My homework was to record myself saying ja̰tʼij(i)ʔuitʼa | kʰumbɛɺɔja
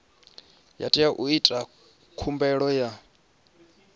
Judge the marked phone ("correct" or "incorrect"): incorrect